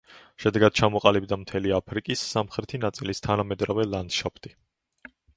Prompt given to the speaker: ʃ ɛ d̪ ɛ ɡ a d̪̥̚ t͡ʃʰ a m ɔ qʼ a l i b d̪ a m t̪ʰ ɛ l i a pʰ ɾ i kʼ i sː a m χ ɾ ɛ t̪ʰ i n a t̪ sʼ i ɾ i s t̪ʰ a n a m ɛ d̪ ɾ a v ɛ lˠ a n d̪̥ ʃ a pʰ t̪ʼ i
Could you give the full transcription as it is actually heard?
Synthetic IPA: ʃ ɛ d̪ ɛ ɡ a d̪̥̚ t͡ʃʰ a m ɔ qʼ a l i b d̪ a m t̪ʰ ɛ l i a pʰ ɾ i kʼ i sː a m χ ɾ ɛ t̪ʰ i n a t̪ sʼ i l i s t̪ʰ a n a m ɛ d̪ ɾ a v ɛ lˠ a n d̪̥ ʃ a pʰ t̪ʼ i